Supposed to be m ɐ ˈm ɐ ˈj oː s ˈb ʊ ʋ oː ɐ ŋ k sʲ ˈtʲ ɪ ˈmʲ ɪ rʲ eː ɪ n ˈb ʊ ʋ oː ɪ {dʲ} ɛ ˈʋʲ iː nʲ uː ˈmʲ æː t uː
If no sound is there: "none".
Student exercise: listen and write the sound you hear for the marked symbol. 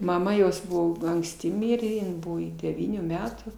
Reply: dʲ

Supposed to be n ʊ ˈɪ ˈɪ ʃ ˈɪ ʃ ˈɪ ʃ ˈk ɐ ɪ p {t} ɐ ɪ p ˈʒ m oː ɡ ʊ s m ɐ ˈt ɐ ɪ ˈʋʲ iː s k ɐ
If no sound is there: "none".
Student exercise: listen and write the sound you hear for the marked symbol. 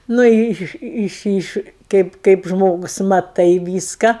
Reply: k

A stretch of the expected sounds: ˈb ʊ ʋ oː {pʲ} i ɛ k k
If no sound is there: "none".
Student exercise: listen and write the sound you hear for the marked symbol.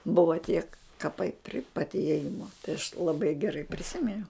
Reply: tʲ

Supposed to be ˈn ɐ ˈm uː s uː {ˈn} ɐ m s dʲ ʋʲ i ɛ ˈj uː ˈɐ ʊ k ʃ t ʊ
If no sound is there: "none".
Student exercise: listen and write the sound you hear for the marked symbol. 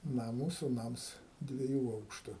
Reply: n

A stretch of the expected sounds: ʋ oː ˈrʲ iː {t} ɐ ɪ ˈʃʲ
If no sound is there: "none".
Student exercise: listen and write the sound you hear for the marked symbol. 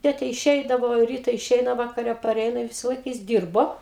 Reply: t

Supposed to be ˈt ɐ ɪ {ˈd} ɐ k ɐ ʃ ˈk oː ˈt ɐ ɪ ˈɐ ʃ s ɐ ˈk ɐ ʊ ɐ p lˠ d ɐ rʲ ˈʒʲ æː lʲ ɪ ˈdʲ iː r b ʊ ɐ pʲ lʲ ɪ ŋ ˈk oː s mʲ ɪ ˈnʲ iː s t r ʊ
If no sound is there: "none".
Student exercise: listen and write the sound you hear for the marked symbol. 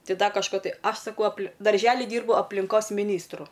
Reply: d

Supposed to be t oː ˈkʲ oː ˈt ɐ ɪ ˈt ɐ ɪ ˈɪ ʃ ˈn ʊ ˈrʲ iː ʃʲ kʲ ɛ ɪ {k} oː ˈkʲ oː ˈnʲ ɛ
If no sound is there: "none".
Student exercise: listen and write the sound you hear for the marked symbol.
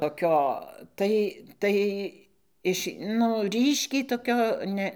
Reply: t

